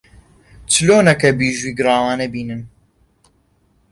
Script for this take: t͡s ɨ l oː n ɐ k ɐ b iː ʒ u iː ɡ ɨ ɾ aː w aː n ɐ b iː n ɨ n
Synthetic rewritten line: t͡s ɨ l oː n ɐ k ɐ b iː ʒ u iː ɡ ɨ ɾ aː w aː n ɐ b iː n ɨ n